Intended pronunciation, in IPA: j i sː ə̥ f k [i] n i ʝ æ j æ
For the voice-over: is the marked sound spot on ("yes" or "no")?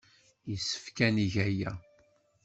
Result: no